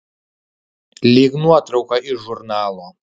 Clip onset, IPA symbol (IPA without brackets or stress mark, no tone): l